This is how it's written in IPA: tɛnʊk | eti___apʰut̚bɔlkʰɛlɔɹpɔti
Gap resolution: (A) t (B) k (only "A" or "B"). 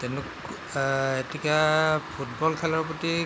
B